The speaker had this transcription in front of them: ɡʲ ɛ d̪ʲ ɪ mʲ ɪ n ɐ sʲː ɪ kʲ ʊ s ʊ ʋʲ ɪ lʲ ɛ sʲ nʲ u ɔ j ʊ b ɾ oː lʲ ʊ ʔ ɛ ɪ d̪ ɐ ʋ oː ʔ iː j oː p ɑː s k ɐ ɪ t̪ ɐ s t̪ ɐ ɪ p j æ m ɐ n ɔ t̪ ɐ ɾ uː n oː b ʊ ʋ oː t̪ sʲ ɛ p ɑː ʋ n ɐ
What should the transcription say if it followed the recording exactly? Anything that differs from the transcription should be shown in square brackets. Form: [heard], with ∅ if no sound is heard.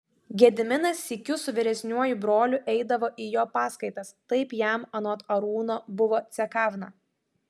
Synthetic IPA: ɡʲ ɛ d̪ʲ ɪ mʲ ɪ n ɐ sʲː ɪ kʲ ʊ s ʊ ʋʲ ɪ [ɾʲ] ɛ sʲ nʲ u ɔ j ʊ b ɾ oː lʲ ʊ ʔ ɛ ɪ d̪ ɐ ʋ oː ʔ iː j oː p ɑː s k ɐ ɪ t̪ ɐ s t̪ ɐ ɪ p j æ m ɐ n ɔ t̪ ɐ ɾ uː n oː b ʊ ʋ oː t̪ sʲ ɛ [k] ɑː ʋ n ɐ